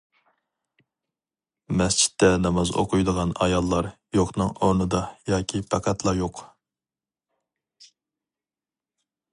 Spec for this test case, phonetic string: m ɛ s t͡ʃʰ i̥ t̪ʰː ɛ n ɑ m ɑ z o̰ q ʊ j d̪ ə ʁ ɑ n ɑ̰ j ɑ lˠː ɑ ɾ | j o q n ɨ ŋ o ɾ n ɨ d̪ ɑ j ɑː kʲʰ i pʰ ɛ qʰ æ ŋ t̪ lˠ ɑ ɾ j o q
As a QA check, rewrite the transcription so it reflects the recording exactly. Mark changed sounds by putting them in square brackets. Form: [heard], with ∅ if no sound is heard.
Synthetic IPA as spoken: m ɛ s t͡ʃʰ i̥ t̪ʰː ɛ n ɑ m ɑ z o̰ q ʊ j d̪ ə ʁ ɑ n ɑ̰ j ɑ lˠː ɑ ɾ | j o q n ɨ ŋ o ɾ n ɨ d̪ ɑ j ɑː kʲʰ i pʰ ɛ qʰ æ [∅] t̪ lˠ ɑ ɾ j o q